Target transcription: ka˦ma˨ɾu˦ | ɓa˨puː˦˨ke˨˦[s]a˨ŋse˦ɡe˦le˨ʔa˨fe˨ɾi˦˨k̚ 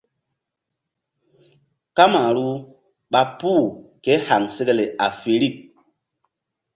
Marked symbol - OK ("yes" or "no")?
no